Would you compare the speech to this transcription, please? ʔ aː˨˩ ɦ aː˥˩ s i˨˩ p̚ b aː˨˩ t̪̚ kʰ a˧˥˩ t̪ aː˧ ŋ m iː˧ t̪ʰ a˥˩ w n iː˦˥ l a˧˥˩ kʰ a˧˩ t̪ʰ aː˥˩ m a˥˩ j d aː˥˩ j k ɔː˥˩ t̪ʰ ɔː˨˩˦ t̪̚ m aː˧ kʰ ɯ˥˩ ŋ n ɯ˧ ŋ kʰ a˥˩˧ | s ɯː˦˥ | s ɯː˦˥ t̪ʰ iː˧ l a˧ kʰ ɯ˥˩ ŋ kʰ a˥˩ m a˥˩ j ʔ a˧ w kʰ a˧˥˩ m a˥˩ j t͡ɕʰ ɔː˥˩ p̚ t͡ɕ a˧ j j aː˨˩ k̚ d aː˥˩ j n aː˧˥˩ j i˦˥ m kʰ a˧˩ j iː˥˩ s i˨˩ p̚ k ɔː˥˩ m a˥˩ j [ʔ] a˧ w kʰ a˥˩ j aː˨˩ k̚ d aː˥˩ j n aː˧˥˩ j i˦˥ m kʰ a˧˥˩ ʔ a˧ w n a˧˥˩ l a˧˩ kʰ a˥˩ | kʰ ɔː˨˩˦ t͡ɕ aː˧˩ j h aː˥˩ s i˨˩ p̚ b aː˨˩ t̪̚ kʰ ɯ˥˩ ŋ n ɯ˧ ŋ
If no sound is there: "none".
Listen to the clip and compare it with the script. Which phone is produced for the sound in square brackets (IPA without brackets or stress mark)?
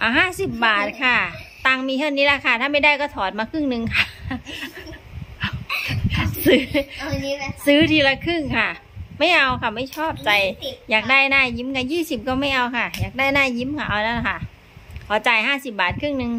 ʔ